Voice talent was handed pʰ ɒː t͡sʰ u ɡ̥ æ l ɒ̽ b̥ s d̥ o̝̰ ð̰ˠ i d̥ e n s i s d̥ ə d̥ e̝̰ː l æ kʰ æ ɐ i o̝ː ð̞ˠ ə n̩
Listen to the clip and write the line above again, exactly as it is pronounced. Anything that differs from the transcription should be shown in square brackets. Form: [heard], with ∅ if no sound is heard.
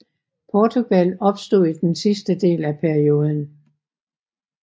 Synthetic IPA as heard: pʰ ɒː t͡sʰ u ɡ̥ æ l ɒ̽ b̥ s d̥ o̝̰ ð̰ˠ i d̥ e n s i s d̥ ə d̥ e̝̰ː l æ [pʰ] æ ɐ i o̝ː ð̞ˠ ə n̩

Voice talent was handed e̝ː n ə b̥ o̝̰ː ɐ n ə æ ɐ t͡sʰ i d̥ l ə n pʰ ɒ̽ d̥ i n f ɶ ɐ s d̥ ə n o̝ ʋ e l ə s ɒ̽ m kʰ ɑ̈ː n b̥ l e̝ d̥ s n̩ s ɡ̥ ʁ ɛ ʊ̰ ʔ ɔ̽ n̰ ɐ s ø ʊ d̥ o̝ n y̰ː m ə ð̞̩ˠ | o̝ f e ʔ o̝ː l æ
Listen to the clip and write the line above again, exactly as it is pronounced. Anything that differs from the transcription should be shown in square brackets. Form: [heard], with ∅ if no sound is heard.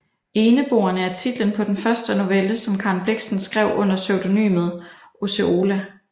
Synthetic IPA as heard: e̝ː n ə b̥ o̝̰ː ɐ n ə æ ɐ t͡sʰ i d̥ l ə n pʰ ɒ̽ d̥ [e] n f ɶ ɐ s d̥ ə n o̝ ʋ e l ə s ɒ̽ m kʰ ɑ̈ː n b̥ l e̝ [ɡ̥] s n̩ s ɡ̥ ʁ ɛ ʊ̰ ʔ ɔ̽ n̰ ɐ s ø ʊ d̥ o̝ n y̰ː m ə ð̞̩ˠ | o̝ [s] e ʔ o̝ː l æ

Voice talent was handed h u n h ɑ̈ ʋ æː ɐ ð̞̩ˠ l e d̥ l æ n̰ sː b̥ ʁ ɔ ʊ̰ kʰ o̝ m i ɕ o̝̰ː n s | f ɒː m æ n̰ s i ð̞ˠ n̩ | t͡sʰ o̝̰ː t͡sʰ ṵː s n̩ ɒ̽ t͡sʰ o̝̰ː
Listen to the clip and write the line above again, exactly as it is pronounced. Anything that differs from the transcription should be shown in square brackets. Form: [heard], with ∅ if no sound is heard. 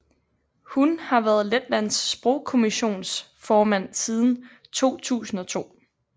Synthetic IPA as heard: h u n h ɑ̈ ʋ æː ɐ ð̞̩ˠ l e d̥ l æ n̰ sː b̥ ʁ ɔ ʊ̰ kʰ o̝ m i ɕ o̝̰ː n s | f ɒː m æ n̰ s i ð̞ˠ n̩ | t͡sʰ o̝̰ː t͡sʰ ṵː s n̩ ɒ̽ t͡sʰ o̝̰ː

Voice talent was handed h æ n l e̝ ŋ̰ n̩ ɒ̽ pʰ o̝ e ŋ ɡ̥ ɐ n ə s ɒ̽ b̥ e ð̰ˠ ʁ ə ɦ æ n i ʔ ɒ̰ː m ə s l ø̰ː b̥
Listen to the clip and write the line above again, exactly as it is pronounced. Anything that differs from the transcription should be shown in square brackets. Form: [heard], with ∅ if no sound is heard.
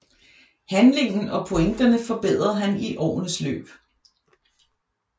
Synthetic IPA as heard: h æ n l e̝ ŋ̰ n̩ ɒ̽ pʰ o̝ e ŋ [d̥] ɐ n ə [f] ɒ̽ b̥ e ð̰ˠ ʁ [ɐ] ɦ æ n i ʔ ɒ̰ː [n] ə s l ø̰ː b̥

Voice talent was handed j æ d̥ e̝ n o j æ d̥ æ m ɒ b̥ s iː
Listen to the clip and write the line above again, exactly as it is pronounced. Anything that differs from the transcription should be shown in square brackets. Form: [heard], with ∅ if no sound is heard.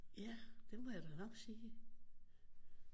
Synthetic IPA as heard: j æ d̥ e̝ [m] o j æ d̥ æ [n] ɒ [ɡ̥] s iː

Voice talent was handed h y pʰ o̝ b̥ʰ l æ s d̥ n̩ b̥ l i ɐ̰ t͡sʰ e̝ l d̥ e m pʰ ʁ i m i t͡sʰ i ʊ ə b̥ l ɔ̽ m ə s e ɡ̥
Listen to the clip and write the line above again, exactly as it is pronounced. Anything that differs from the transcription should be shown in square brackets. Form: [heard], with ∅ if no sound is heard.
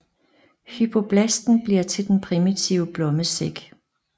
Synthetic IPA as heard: h y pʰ o̝ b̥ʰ l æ s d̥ n̩ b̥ l i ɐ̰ t͡sʰ e̝ l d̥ e [n] pʰ ʁ i m i t͡sʰ i ʊ ə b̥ l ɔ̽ m ə s e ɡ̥

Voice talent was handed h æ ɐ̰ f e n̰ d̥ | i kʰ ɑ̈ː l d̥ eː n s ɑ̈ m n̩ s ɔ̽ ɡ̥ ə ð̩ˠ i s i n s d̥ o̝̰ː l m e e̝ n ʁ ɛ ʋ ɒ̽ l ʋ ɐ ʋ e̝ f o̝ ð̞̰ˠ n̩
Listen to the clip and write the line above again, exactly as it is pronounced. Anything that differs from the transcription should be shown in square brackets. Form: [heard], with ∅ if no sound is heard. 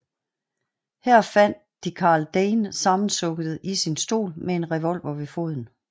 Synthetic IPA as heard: h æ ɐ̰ f [æ] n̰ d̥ | i kʰ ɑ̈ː l d̥ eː n s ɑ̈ m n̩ s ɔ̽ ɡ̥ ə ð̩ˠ i s i n s d̥ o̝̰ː l m e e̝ n ʁ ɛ ʋ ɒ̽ l ʋ ɐ ʋ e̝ f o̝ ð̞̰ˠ n̩

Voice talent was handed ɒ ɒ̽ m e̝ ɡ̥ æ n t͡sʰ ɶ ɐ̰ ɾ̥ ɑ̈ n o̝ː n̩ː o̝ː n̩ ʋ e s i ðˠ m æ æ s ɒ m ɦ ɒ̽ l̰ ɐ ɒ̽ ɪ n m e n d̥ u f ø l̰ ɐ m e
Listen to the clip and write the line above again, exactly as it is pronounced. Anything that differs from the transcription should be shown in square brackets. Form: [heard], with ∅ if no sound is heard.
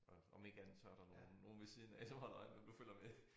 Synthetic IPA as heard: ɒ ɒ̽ m e̝ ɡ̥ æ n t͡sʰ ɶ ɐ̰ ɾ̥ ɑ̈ n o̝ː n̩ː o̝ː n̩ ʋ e s i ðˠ [n] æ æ s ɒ m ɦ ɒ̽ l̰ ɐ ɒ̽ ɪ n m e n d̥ u f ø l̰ ɐ m e

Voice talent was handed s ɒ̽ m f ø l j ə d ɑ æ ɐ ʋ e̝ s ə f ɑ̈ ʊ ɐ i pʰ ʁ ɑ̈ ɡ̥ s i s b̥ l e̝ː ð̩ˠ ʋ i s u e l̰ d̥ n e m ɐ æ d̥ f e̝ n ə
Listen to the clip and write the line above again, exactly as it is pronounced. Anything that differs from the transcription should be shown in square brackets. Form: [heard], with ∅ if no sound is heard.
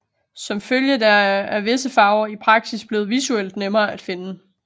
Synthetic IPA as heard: s ɒ̽ m f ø l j ə d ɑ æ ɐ ʋ e̝ s ə f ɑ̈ ʊ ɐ i pʰ ʁ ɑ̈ ɡ̥ s i s b̥ l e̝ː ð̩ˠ ʋ i s u e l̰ d̥ n e m [ɐː] æ d̥ f e̝ n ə

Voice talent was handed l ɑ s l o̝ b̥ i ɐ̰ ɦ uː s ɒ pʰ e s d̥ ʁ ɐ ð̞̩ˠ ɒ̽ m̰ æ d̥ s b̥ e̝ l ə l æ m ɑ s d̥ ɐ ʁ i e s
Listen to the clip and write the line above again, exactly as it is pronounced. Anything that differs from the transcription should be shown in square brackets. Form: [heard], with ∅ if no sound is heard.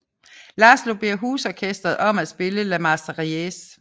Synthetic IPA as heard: l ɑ s l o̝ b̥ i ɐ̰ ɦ uː s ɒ [kʰ] e s d̥ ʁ ɐ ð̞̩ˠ ɒ̽ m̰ æ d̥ s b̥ e̝ l ə l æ m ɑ s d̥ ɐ ʁ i e s

